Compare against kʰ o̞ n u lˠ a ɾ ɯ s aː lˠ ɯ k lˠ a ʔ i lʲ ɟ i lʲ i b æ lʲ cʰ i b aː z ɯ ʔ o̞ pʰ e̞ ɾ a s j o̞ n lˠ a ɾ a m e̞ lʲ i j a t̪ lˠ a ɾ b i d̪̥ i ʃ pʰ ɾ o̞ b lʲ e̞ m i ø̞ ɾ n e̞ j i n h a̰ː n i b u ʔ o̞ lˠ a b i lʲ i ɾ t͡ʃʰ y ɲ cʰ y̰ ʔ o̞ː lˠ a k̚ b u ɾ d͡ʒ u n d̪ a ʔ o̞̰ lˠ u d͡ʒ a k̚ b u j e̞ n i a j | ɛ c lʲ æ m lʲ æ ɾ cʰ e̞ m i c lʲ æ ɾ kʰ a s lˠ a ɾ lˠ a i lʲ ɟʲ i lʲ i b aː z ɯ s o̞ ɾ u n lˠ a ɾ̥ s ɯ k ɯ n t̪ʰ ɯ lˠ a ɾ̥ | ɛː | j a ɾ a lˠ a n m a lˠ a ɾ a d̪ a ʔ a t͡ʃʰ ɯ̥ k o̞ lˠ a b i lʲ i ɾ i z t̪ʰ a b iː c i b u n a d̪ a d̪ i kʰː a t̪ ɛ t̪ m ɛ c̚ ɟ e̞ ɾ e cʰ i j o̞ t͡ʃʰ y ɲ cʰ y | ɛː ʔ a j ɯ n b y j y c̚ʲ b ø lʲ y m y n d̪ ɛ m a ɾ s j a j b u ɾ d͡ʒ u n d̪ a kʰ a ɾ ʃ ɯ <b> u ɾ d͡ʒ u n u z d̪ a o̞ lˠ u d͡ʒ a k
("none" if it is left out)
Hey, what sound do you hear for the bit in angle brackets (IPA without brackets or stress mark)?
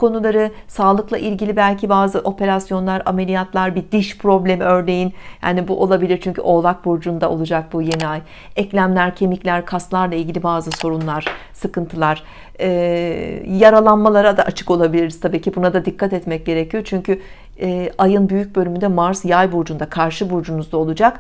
b